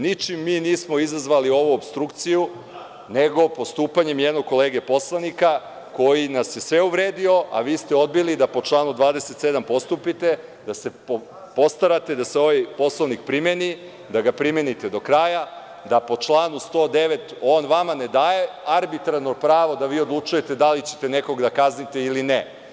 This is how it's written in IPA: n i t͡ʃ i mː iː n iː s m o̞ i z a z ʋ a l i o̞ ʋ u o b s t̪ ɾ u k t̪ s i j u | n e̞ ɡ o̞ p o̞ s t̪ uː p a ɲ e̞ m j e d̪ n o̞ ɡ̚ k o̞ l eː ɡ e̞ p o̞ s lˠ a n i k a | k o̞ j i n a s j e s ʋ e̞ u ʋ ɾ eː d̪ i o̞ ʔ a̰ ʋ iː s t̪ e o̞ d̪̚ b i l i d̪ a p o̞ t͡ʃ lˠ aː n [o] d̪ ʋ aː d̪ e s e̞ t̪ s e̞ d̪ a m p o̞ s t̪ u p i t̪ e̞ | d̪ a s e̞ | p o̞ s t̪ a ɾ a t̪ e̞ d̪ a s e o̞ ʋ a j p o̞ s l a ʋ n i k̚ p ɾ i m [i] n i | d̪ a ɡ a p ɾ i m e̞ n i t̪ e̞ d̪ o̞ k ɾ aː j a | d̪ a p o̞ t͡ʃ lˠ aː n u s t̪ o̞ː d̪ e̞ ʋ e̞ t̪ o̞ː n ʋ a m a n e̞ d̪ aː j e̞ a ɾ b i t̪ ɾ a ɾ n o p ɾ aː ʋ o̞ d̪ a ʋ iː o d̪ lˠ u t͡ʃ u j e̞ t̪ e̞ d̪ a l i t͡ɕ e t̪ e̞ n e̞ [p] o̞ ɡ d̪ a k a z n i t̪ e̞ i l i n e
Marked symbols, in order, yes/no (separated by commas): no, no, no